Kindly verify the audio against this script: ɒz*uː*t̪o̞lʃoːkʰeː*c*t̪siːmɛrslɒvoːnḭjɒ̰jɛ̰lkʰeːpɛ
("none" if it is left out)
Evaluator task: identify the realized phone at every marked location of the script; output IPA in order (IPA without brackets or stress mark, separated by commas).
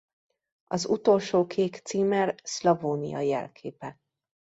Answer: u, k